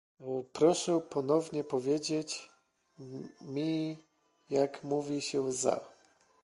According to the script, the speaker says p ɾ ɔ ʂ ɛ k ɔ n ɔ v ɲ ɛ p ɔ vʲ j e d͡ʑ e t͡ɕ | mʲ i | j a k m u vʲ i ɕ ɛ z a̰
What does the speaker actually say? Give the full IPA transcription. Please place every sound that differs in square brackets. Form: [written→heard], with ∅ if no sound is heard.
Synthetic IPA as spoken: p ɾ ɔ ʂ ɛ [k→p] ɔ n ɔ v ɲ ɛ p ɔ vʲ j e d͡ʑ e t͡ɕ | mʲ i | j a k m u vʲ i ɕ ɛ z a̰